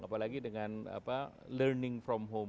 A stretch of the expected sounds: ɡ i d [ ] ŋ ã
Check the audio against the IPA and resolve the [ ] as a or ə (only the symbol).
ə